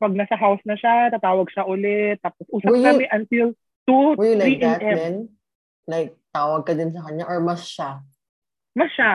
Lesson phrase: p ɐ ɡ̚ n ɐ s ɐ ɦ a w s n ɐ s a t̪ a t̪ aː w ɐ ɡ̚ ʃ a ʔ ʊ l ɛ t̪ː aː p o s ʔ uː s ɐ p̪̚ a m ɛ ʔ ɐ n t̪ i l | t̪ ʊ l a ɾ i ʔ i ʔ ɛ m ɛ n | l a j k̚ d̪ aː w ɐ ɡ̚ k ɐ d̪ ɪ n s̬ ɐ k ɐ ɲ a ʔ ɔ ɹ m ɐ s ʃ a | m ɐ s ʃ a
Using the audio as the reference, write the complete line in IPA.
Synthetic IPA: p ɐ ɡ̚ n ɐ s ɐ ɦ a w s n ɐ ʃ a t̪ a t̪ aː w ɐ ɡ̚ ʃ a ʔ ʊ l ɛ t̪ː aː p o s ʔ uː s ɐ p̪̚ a m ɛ ʔ ɐ n t̪ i l | t̪ u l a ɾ i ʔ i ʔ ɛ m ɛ n | l a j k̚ t̪ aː w ɐ ɡ̚ k ɐ d̪ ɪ n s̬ ɐ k ɐ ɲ a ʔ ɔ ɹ m ɐ s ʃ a | m ɐ s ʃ a